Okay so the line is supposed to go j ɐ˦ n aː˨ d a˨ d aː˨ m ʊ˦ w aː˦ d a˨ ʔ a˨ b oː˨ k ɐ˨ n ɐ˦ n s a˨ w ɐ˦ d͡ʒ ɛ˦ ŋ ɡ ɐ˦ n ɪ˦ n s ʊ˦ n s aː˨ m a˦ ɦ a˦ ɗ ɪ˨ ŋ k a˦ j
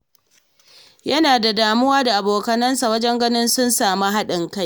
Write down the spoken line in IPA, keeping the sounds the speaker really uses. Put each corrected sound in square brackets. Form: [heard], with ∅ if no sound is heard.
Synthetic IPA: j ɐ˦ n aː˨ d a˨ d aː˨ m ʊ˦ w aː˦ d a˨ ʔ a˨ b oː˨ k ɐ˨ n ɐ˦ n s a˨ w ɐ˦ d͡ʒ ɛ˦ ŋ ɡ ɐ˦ n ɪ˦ n s ʊ˦ n s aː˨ m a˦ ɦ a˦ ɗ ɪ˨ ŋ k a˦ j

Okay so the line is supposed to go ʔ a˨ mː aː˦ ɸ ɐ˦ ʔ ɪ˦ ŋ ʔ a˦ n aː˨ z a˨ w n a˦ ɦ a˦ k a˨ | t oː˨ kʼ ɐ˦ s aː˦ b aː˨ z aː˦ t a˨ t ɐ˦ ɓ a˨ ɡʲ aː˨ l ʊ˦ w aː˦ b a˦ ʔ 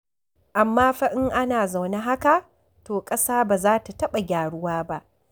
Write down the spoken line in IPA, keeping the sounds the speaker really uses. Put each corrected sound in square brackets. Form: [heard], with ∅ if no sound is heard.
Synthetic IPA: ʔ a˨ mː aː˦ ɸ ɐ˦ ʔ ɪ˦ ŋ ʔ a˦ n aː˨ z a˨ w n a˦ ɦ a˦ k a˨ | t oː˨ kʼ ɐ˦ s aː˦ b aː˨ z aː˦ t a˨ t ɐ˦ ɓ a˨ ɡʲ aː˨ [ɽ] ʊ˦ w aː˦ b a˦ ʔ

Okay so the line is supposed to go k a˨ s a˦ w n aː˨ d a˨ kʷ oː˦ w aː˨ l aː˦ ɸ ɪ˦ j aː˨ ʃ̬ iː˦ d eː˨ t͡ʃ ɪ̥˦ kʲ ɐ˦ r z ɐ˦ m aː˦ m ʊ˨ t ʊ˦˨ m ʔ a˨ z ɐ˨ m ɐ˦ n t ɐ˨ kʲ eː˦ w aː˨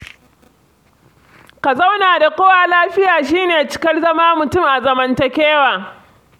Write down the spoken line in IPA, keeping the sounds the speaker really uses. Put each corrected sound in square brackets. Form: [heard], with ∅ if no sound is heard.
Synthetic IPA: k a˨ [z] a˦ w n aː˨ d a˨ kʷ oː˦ w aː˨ l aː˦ ɸ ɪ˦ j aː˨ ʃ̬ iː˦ [n] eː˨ t͡ʃ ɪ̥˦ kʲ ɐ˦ r z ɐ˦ m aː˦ m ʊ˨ t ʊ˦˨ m ʔ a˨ z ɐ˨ m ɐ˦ n t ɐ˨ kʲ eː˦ w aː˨

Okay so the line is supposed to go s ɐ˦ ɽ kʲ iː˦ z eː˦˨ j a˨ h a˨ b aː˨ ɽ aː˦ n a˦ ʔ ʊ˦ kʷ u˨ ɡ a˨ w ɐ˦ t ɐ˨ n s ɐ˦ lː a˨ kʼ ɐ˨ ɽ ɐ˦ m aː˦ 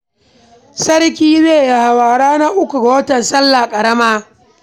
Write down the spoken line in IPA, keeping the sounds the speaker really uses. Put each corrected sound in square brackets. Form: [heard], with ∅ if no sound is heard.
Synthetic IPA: s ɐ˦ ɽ kʲ iː˦ z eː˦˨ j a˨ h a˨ [w] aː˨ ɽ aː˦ n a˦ ʔ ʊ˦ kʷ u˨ ɡ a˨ w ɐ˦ t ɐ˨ n s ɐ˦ lː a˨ kʼ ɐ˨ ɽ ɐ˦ m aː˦

